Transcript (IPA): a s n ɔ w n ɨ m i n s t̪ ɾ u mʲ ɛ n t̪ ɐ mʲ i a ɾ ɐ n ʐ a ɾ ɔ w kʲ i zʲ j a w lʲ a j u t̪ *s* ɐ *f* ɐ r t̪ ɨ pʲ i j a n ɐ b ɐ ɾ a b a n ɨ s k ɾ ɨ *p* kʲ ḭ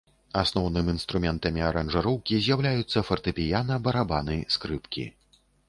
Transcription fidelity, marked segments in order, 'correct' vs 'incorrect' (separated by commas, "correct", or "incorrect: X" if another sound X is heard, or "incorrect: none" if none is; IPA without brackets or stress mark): incorrect: sː, correct, correct